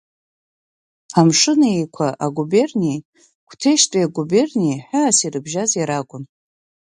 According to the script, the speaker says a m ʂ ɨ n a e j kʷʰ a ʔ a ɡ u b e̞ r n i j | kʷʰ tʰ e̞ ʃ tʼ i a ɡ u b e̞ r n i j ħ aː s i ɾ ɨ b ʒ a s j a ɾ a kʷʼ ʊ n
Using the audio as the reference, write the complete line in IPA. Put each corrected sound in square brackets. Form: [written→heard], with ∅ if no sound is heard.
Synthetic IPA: a m ʂ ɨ n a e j kʷʰ a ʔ a ɡ u b e̞ r n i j | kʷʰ tʰ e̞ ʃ tʼ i a ɡ u b e̞ r n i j ħ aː s i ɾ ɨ b ʒ a [s→z] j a ɾ a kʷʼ ʊ n